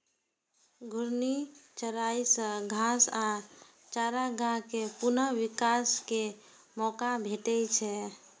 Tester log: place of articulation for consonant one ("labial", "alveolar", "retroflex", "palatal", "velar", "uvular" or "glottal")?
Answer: velar